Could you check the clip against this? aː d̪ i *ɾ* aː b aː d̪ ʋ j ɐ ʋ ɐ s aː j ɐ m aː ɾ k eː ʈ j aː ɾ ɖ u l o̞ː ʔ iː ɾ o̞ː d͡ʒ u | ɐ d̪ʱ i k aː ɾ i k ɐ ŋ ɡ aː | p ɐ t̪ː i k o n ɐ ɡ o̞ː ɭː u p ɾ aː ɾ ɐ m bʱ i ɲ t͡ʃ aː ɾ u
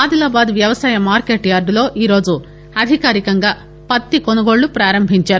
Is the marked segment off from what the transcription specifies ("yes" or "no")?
yes